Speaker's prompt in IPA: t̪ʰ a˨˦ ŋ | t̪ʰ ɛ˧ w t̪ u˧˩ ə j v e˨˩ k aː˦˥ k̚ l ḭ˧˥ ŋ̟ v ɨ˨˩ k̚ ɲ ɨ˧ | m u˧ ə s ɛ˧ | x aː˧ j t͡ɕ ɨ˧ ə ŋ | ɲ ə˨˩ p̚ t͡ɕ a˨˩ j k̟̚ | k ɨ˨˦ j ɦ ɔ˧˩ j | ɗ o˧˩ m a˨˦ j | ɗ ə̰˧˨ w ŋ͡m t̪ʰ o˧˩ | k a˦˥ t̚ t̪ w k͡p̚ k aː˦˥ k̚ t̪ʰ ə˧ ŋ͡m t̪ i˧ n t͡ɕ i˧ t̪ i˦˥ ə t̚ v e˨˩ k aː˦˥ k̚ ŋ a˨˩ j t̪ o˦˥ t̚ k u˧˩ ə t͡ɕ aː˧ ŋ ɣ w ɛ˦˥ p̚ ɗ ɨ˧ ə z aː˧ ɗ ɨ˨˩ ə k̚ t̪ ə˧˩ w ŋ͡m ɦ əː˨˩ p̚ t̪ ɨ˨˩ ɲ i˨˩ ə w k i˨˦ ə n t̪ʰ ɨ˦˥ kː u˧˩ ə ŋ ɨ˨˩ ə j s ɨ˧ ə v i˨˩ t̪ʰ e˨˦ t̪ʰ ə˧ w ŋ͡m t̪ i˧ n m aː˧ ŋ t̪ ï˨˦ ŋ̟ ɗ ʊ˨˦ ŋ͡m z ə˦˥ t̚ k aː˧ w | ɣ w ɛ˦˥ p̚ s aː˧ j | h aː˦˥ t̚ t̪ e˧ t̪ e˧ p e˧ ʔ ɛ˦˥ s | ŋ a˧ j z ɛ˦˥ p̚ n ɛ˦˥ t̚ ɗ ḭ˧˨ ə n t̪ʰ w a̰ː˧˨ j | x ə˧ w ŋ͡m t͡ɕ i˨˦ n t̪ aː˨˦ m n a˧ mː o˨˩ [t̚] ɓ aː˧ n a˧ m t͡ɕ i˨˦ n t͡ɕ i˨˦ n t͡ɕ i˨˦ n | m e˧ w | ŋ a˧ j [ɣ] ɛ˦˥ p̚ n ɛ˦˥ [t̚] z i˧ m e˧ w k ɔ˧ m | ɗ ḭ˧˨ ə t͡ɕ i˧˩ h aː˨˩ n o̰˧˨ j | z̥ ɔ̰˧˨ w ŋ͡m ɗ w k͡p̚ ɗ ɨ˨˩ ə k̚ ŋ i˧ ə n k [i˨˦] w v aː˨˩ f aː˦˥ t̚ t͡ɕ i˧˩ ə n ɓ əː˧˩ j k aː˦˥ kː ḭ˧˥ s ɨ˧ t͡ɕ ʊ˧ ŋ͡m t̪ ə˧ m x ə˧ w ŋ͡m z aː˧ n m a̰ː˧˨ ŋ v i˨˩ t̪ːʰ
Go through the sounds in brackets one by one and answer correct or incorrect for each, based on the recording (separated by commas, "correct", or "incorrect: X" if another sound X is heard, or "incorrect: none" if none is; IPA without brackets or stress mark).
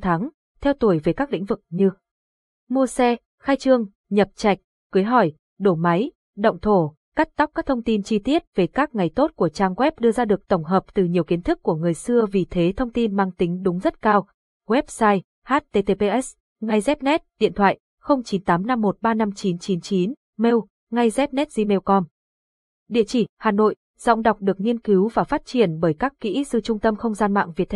correct, incorrect: z, correct, correct